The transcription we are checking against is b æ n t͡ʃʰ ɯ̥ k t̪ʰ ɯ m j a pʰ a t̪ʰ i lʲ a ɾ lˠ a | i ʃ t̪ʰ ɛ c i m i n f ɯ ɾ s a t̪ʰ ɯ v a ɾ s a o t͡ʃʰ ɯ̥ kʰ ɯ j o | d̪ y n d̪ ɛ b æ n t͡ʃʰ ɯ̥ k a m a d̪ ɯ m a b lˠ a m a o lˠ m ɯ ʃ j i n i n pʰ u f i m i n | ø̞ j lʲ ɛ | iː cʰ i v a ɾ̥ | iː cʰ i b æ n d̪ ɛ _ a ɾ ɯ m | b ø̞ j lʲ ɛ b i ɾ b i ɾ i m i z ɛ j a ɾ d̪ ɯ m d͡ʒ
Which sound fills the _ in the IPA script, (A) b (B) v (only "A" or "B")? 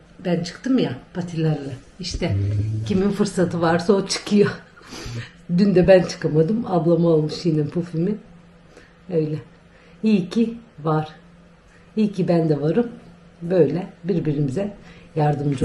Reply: B